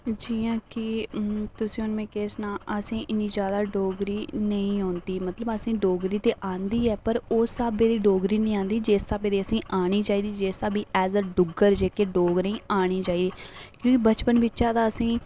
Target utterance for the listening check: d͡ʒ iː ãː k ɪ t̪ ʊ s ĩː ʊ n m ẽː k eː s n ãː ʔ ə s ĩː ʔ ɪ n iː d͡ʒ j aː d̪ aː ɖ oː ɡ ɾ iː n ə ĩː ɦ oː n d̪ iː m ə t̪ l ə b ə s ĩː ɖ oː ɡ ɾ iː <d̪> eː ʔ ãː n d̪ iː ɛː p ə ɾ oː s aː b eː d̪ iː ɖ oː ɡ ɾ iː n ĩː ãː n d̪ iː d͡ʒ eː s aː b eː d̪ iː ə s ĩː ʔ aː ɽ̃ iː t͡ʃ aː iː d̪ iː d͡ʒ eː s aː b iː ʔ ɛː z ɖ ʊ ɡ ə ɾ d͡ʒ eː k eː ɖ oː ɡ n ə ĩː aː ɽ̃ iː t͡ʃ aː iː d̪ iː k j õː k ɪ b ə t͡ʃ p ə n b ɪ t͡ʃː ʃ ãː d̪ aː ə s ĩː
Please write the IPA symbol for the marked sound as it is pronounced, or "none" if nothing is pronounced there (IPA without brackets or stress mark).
t̪